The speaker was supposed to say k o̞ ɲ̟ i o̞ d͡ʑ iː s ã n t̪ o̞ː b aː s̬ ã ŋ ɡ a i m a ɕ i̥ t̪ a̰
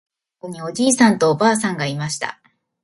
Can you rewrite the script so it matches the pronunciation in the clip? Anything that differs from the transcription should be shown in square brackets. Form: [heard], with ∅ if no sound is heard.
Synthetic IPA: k o̞ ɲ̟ i o̞ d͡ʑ iː s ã n t̪ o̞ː b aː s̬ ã ŋ ɡ a i m a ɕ i̥ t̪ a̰